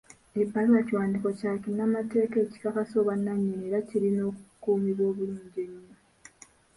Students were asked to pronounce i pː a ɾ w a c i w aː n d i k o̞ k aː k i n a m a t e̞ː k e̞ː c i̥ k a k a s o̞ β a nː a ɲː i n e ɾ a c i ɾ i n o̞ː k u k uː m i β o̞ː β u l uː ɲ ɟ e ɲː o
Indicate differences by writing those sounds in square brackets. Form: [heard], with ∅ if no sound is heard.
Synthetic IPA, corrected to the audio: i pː a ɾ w a c i w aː n d i k o̞ [c] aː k i n a m a t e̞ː k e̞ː c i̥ k a k a s o̞ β a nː a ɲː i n e ɾ a c i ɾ i n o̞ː k u k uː m i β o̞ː β u l uː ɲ ɟ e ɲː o

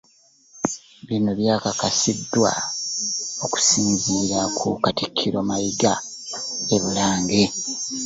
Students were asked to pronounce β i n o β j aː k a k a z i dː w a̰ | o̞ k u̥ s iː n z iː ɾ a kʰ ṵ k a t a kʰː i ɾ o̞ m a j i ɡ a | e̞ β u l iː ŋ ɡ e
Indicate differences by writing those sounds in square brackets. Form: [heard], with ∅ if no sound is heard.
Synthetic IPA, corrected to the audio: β i n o β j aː k a k a [s] i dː w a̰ | o̞ k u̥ s iː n z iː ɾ a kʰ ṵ k a t [i] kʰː i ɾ o̞ m a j i ɡ a | e̞ β u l [aː] ŋ ɡ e

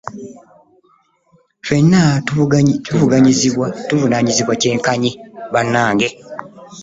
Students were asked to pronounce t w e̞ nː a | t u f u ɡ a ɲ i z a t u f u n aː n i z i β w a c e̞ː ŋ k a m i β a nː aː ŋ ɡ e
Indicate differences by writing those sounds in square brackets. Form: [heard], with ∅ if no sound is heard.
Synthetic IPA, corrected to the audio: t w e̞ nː a | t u [v] u ɡ a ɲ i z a t u [v] u n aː [ɲ] i z i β w a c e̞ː ŋ k a [ɲ] i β a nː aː ŋ ɡ e

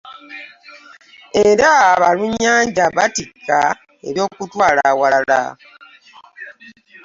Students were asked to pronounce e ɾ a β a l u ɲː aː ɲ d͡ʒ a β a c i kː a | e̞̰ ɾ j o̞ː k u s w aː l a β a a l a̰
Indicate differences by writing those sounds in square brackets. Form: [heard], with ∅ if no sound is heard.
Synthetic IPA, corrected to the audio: e ɾ a β a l u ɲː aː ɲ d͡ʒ a β a [t] i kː a | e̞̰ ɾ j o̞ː k u [t] w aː l a [w] a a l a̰

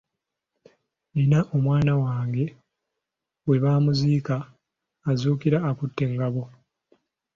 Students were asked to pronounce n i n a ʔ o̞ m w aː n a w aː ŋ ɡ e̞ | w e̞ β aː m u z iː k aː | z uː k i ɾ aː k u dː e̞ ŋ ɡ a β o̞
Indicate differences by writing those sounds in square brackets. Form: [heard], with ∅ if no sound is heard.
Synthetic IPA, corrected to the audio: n i n a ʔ o̞ m w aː n a w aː ŋ ɡ e̞ | w e̞ β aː m u z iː k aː | z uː k i ɾ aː k u [tː] e̞ ŋ ɡ a β o̞

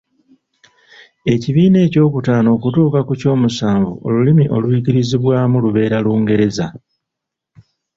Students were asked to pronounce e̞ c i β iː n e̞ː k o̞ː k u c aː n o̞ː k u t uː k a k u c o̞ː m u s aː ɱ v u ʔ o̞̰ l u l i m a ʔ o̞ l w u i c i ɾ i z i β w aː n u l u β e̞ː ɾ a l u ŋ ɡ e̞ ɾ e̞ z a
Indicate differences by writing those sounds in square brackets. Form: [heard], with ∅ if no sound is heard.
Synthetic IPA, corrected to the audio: e̞ c i β iː n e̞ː [c] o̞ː k u [t] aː n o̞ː k u t uː k a k u c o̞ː m u s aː ɱ v u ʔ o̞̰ l u l i m [i] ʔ o̞ l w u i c i ɾ i z i β w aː [m] u l u β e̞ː ɾ a l [uː] ŋ ɡ e̞ ɾ e̞ z a

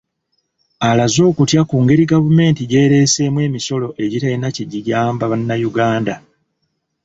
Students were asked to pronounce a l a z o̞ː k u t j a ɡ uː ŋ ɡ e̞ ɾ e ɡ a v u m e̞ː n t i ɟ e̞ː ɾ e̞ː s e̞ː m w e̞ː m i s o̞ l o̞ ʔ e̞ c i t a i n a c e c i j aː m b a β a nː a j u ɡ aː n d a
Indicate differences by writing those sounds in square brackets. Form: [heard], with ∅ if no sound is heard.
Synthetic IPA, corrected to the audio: a l a z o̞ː k u t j a [k] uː ŋ ɡ e̞ ɾ [i] ɡ a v u m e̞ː n t i ɟ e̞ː ɾ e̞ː s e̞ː m w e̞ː m i s o̞ l o̞ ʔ e̞ [ɟ] i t a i n a c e [ɟ] i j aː m b a β a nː a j u ɡ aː n d a

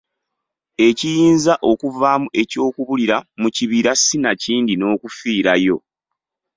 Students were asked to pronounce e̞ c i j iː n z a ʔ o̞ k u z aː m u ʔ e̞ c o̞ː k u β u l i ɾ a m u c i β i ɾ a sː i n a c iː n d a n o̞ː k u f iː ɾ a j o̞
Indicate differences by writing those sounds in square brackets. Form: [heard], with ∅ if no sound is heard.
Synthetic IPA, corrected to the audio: e̞ c i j iː n z a ʔ o̞ k u [v] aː m u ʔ e̞ c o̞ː k u β u l i ɾ a m u c i β i ɾ a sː i n a c iː n d [i] n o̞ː k u f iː ɾ a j o̞

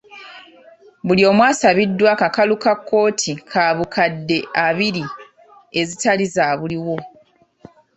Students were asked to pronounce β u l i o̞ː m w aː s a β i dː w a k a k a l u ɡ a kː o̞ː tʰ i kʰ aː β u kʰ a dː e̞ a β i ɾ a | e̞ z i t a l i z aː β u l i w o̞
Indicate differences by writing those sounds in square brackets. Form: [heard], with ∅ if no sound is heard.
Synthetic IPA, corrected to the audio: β u l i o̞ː m w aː s a β i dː w a k a k a l u [k] a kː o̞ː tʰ i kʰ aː β u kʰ a dː e̞ a β i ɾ [i] | e̞ z i t a l i z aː β u l i w o̞

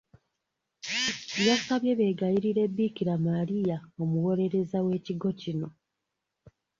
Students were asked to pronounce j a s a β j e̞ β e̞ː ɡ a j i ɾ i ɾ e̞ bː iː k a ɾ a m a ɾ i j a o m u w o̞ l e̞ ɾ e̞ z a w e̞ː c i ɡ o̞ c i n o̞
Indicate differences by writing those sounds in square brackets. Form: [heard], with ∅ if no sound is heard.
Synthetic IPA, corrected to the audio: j a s a β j e̞ β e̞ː ɡ a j i ɾ i ɾ e̞ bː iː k [i] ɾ a m a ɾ i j a o m u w o̞ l e̞ ɾ e̞ z a w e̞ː c i ɡ o̞ c i n o̞

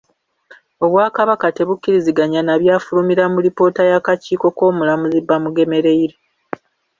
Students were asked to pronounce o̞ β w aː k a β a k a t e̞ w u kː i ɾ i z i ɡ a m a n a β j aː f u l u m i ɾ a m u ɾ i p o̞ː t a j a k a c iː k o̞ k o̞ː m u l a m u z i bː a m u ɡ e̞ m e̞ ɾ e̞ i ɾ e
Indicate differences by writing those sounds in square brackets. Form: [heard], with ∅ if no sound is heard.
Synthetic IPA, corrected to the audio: o̞ β w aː k a β a k a t e̞ [β] u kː i ɾ i z i ɡ a [ɲ] a n a β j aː f u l u m i ɾ a m u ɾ i p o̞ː t a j a k a c iː k o̞ k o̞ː m u l a m u z i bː a m u ɡ e̞ m e̞ ɾ e̞ i ɾ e

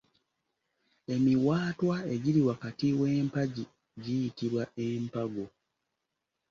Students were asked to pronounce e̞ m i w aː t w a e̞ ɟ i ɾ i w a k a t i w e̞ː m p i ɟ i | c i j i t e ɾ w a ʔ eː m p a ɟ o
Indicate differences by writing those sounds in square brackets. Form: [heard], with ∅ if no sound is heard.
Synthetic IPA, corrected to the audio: e̞ m i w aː t w a e̞ ɟ i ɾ i w a k a t i w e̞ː m p [a] ɟ i | [ɟ] i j i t [i] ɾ w a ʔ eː m p a [ɡ] o

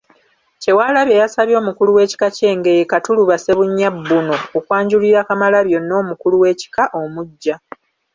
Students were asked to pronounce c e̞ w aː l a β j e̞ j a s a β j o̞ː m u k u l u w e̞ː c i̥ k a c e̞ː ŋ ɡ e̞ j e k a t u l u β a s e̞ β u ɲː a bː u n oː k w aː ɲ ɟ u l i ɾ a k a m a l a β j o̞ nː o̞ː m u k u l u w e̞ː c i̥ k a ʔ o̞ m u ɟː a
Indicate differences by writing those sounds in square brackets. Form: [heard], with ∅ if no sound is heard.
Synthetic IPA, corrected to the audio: c e̞ w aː l a β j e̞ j a s a β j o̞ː m u k u l u w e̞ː c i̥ k a c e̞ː ŋ ɡ e̞ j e k a t u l u β a s e̞ β u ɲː a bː u n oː k w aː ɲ ɟ u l i ɾ a k a m a l a β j o̞ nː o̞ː m u k u l u w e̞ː c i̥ k a ʔ o̞ m u ɟː a

